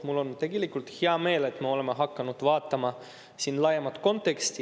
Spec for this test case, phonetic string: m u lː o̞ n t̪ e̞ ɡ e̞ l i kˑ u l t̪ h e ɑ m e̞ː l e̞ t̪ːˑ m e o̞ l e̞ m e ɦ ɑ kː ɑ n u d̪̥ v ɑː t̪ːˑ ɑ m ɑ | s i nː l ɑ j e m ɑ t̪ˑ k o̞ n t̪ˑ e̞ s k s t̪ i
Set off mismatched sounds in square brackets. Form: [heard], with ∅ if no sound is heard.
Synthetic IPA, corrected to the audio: m u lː o̞ n t̪ e̞ ɡ e̞ l i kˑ u l t̪ h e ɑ m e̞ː l e̞ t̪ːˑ m e o̞ l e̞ m e ɦ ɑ kː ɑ n u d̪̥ v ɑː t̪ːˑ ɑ m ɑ | s i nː l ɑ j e m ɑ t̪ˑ k o̞ n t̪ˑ e̞ [∅] k s t̪ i